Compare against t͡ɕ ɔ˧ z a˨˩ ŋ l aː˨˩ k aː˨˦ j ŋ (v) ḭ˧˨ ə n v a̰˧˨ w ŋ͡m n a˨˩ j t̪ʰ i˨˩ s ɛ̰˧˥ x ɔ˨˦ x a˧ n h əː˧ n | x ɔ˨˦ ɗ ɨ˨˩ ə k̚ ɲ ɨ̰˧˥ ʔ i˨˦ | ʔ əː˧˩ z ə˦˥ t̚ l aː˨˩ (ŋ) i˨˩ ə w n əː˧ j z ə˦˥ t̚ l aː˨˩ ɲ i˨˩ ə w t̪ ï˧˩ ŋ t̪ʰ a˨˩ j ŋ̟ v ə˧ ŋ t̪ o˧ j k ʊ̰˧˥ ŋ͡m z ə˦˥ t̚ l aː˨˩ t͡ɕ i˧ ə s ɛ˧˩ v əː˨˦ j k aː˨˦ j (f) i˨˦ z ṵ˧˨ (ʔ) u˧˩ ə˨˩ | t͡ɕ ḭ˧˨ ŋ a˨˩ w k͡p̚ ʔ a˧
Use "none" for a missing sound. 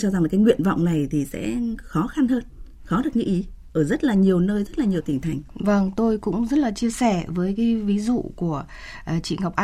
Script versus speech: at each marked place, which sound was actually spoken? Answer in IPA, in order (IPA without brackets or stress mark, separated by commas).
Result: w, ɲ, v, k